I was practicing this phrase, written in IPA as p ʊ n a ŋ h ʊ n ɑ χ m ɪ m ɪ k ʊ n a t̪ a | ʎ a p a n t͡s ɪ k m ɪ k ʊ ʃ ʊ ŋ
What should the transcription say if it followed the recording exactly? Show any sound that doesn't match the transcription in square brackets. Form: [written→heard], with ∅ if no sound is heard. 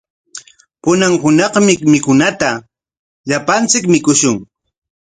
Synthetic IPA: p ʊ n a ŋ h ʊ n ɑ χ m ɪ m ɪ k ʊ n a t̪ a | ʎ a p a n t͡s ɪ k m ɪ k ʊ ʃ ʊ ŋ